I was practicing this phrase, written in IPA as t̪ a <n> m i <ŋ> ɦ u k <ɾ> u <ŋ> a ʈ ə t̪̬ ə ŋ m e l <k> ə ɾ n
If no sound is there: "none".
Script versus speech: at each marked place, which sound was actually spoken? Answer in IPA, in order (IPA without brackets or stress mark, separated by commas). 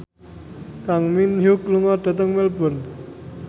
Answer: ŋ, n, l, ŋ, p